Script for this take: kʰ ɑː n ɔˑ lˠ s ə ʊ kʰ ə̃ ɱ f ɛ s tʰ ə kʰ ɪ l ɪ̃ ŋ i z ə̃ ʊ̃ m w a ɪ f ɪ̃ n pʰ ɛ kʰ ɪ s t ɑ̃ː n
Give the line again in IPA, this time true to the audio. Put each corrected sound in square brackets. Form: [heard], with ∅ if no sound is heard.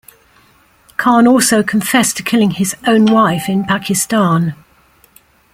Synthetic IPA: kʰ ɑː n ɔˑ lˠ s ə ʊ kʰ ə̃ ɱ f ɛ s tʰ ə kʰ ɪ l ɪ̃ ŋ [ɪ] z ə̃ ʊ̃ [n] w a ɪ f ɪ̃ n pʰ [a] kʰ ɪ s t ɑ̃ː n